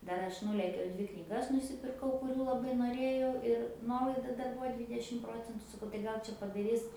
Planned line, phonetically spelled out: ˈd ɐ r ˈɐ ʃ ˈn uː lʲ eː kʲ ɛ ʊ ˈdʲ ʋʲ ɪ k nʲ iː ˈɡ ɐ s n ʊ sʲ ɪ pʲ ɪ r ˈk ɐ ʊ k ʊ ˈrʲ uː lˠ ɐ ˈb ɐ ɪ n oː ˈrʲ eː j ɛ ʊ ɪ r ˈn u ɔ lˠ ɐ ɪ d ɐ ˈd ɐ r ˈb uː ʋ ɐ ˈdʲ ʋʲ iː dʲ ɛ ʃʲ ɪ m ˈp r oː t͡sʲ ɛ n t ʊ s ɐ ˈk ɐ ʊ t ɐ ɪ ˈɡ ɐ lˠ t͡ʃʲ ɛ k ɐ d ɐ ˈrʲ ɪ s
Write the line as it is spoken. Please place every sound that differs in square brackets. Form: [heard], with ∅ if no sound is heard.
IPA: ˈd ɐ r ˈɐ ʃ ˈn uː lʲ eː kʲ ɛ ʊ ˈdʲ ʋʲ ɪ k nʲ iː ˈɡ ɐ s n ʊ sʲ ɪ pʲ ɪ r ˈk ɐ ʊ k ʊ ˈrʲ uː lˠ ɐ ˈb ɐ ɪ n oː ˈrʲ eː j ɛ ʊ ɪ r ˈn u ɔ lˠ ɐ ɪ d ɐ ˈd ɐ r ˈb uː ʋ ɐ ˈdʲ ʋʲ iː dʲ ɛ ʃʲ ɪ m ˈp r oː t͡sʲ ɛ n t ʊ s ɐ ˈk ɐ ʊ t ɐ ɪ ˈɡ ɐ lˠ t͡ʃʲ ɛ [p] ɐ d ɐ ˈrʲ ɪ s